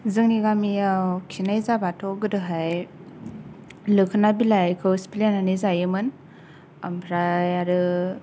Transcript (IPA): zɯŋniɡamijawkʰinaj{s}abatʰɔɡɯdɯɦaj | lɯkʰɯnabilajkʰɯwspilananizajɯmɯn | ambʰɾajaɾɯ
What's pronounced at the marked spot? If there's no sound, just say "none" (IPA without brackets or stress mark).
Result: z